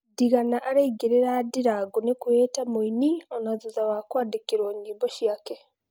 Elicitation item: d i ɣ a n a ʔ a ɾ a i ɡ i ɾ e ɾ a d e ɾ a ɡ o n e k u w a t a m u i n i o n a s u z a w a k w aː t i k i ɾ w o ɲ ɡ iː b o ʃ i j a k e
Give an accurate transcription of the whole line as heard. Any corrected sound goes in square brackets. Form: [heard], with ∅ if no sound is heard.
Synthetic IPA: d i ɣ a n a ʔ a ɾ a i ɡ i ɾ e ɾ a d [i] ɾ a ɡ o n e k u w [e] t a m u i n i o n a [z] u z a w a k w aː [d] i k i ɾ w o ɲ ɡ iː b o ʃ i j a k e